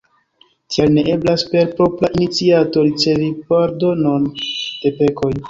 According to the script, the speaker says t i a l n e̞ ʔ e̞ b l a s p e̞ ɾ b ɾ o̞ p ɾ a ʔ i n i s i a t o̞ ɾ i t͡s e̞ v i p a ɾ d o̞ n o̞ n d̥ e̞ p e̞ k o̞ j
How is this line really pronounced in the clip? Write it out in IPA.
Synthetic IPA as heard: t i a l n e̞ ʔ e̞ b l a s p e̞ ɾ p ɾ o̞ p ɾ a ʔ i n i t͡s i a t o̞ ɾ i t͡s e̞ v i p a ɾ d o̞ n o̞ n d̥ e̞ p e̞ k o̞ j